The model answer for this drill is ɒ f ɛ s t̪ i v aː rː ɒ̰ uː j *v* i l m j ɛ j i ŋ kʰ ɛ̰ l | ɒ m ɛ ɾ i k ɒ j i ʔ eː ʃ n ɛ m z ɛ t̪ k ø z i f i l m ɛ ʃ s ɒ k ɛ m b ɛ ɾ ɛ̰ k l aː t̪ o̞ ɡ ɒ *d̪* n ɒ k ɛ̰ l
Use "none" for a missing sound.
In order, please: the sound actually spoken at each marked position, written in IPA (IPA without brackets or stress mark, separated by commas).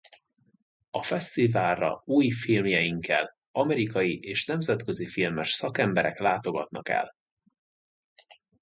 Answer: f, t̪